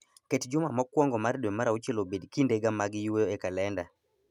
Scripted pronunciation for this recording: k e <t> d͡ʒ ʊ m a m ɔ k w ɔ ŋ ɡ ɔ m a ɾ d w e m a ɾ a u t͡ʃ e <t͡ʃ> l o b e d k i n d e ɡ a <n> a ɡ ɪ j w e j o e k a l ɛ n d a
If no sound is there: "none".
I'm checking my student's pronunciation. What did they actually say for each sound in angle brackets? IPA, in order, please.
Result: t, none, m

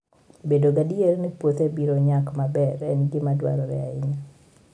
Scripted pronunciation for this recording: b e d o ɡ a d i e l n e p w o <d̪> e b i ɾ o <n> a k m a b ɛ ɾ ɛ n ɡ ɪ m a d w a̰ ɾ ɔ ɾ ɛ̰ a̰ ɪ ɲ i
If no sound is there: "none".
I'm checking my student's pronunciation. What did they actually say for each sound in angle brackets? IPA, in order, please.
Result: t̪, ɲ

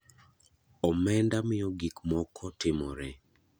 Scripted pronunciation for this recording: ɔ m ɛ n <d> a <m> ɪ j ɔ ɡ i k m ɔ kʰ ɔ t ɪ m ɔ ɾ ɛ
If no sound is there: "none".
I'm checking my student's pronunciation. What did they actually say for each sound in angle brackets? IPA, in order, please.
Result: d, m

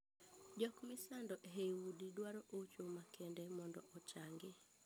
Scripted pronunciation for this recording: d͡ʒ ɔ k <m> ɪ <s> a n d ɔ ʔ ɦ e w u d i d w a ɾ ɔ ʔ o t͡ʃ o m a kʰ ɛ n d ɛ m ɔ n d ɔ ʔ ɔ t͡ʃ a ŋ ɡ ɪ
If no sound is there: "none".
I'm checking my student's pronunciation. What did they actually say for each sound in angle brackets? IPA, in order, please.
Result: m, s

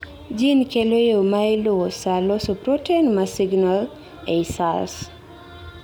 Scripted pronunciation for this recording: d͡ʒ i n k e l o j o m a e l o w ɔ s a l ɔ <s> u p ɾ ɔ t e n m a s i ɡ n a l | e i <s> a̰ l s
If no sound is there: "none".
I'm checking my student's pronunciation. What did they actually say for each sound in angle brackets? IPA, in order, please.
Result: s, s

